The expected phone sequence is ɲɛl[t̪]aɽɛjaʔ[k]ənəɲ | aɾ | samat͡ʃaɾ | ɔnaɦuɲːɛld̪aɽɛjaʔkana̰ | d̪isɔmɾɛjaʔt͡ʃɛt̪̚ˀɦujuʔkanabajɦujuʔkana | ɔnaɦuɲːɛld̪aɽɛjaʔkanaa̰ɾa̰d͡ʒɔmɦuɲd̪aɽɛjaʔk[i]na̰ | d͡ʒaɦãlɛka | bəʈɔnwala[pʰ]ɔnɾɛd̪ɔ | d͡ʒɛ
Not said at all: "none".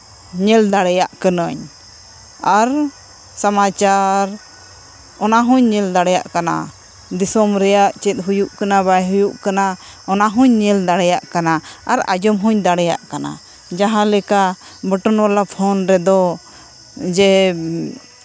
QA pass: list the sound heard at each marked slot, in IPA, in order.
d̪, k, a, pʰ

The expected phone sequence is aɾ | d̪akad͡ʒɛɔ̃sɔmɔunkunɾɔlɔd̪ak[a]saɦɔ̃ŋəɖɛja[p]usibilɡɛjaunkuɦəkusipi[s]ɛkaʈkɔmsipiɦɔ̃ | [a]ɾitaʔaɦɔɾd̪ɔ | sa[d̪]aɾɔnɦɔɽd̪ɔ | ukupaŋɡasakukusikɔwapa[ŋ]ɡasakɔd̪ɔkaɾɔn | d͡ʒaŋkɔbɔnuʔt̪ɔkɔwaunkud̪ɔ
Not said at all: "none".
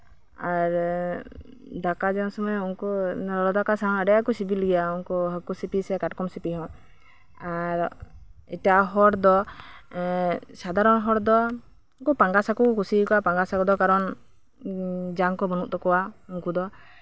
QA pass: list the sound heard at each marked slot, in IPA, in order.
a, k, s, a, d̪, ŋ

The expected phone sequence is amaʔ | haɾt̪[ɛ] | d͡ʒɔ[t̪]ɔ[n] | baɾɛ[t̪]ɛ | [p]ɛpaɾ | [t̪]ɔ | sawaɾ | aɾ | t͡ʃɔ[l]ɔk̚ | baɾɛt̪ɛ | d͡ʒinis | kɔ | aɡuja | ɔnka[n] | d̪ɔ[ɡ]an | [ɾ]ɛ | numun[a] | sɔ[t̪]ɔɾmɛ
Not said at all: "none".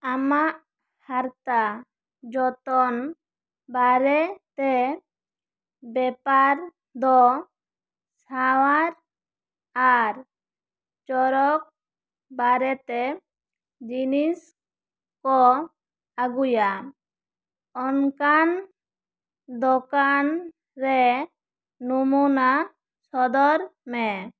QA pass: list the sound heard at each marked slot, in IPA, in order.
a, t̪, n, t̪, b, d̪, ɾ, n, k, ɾ, a, d̪

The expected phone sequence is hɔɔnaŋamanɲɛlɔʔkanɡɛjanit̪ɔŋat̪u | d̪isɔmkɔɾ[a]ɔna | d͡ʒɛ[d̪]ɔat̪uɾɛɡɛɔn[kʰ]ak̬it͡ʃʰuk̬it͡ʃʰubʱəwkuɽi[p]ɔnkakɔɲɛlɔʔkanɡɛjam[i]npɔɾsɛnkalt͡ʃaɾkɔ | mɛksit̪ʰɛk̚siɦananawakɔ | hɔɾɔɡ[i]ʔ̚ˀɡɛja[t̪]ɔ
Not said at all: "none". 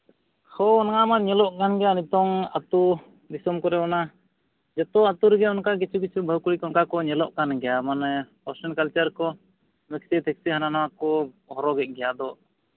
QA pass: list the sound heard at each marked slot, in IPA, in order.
ɛ, t̪, k, k, a, ɛ, d̪

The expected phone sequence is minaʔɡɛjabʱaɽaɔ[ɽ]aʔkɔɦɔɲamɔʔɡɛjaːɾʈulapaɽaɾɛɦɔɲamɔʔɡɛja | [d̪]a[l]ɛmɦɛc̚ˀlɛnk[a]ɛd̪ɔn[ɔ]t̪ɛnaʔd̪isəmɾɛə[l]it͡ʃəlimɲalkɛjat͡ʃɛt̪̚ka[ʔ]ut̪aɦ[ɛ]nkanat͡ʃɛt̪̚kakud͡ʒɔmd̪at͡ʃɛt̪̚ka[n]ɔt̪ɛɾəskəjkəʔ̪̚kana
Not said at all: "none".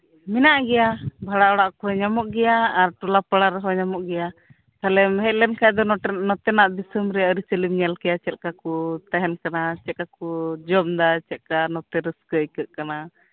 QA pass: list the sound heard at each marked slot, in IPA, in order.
ɽ, t̪, l, a, ɔ, ɾ, k, ɛ, n

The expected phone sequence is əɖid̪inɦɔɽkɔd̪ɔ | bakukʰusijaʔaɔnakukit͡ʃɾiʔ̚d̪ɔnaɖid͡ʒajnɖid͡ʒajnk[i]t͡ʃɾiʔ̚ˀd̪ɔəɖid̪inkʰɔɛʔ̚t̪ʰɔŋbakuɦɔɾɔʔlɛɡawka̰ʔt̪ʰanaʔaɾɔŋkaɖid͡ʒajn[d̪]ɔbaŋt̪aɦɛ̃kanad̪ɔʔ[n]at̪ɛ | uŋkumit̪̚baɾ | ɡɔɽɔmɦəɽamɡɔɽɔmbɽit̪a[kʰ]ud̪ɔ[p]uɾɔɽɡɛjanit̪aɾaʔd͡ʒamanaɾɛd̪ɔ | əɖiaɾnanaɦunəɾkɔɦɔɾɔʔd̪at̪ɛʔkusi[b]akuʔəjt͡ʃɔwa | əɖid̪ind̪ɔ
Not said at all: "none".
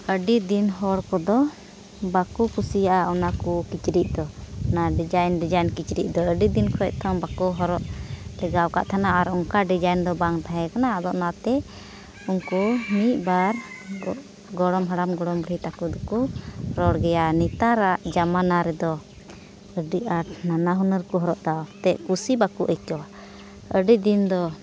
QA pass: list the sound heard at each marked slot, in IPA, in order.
i, d̪, n, k, k, b

